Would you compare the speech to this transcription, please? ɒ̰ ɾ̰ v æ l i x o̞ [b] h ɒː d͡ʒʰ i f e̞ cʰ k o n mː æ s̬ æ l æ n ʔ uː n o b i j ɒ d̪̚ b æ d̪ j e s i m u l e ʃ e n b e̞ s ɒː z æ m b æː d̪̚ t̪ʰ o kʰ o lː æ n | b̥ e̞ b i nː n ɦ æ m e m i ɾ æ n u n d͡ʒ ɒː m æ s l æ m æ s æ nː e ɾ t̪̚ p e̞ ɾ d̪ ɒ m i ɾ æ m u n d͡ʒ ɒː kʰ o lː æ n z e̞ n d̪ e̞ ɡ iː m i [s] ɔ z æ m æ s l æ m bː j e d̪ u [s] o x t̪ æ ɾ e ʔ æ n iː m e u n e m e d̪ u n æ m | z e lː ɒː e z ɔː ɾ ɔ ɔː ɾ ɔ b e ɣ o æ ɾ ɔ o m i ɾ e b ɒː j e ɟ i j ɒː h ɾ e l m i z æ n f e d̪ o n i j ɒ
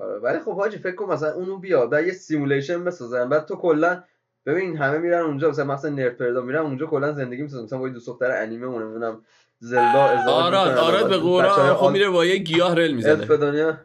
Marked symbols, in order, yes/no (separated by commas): yes, yes, yes